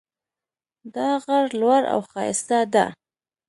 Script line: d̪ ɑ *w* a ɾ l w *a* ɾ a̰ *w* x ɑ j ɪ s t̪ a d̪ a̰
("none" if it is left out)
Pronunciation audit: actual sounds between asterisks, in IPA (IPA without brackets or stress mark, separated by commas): ɣ, a, w